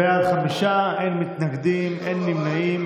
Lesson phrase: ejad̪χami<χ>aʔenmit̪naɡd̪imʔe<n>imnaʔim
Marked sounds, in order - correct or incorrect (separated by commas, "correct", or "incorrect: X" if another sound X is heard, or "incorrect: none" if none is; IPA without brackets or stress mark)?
incorrect: ʃ, incorrect: nː